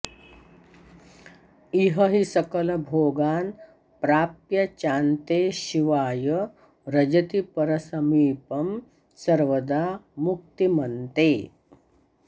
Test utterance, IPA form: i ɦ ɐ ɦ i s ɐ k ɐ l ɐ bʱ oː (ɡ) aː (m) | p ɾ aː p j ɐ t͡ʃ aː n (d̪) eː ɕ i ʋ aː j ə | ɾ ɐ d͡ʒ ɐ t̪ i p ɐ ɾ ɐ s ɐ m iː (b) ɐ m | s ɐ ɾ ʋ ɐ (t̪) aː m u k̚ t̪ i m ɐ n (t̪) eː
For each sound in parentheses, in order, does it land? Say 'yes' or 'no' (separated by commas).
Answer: yes, no, no, no, no, yes